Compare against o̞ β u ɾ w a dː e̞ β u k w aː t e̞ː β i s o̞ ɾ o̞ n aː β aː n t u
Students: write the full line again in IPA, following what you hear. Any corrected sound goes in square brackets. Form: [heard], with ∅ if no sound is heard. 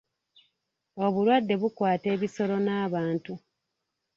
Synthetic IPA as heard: o̞ β u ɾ w a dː e̞ β u k w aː t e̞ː β i s o̞ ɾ o̞ n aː β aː n t u